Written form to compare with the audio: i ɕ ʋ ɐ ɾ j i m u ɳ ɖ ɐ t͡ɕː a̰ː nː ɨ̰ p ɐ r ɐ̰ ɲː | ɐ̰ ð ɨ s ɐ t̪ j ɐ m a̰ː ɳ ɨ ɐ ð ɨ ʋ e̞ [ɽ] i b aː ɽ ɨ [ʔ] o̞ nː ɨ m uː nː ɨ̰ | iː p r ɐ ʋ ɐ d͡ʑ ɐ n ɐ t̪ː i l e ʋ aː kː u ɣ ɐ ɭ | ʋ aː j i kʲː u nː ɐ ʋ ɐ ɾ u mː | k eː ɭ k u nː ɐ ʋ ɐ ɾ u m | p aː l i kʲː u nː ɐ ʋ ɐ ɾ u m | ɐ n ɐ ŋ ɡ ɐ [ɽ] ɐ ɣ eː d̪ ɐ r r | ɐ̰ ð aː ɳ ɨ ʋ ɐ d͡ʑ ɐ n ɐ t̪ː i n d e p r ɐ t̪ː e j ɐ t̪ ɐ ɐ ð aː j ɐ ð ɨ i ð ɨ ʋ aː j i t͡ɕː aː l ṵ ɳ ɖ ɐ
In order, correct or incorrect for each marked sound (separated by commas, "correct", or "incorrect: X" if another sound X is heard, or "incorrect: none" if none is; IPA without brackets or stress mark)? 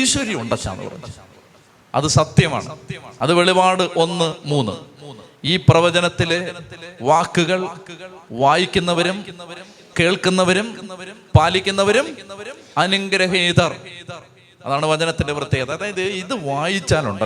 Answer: incorrect: ɭ, correct, incorrect: ɾ